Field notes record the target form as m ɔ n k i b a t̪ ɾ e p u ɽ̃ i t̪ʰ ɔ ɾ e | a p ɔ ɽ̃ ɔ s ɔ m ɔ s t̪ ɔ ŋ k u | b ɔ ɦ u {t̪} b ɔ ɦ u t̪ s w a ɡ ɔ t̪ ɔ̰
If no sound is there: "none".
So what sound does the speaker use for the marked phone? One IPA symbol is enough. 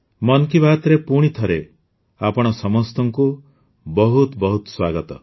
t̪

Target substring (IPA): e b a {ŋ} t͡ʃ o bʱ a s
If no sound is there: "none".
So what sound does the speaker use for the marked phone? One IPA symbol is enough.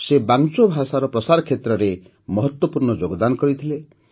ŋ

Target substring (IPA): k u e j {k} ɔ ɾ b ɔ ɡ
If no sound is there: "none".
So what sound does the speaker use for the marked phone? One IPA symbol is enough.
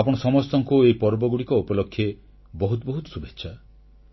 p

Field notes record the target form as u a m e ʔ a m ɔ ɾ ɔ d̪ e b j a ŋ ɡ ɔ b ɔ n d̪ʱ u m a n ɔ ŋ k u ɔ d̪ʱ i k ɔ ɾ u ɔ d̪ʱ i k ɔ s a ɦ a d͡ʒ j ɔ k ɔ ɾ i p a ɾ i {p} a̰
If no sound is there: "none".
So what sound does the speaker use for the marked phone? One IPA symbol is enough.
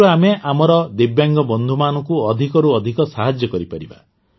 b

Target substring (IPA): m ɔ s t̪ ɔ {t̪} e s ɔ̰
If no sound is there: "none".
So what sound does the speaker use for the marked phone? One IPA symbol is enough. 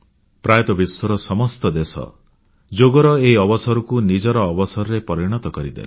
d̪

